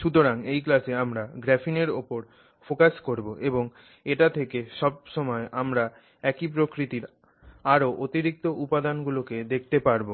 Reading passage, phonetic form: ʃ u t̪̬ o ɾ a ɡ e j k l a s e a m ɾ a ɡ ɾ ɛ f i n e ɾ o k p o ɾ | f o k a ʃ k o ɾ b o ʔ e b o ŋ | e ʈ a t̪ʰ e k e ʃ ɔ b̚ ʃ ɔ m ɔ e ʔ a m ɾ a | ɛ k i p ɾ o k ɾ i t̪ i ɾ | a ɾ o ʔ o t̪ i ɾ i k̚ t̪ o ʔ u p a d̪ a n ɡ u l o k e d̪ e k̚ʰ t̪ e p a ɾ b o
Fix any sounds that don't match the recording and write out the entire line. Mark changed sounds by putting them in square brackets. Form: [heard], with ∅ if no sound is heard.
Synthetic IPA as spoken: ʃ u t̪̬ o ɾ a [ŋ] e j k l a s e a m ɾ a ɡ ɾ ɛ f i n e ɾ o [∅] p o ɾ | f o k a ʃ k o ɾ b o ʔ e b o ŋ | e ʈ a t̪ʰ e k e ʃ ɔ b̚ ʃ ɔ m ɔ e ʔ a m ɾ a | ɛ k i p ɾ o k ɾ i t̪ i ɾ | a ɾ o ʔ o t̪ i ɾ i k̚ t̪ o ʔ u p a d̪ a n ɡ u l o k e d̪ e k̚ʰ t̪ e p a ɾ b o